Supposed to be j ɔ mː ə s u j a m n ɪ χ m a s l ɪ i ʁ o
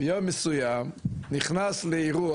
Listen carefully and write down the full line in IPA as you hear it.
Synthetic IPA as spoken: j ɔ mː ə s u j a m n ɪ χ n a s l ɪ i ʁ u